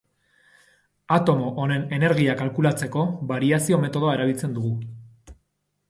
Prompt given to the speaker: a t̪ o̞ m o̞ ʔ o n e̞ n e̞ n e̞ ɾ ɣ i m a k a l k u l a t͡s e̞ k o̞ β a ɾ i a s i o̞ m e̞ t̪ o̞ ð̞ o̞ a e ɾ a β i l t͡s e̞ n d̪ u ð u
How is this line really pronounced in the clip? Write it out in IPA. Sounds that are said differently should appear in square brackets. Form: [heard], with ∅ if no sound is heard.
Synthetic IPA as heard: a t̪ o̞ m o̞ ʔ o n e̞ n e̞ n e̞ ɾ ɣ i [∅] a k a l k u l a t͡s e̞ k o̞ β a ɾ i a s i o̞ m e̞ t̪ o̞ ð̞ o̞ a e ɾ a β i l t͡s e̞ n d̪ u [ɣ] u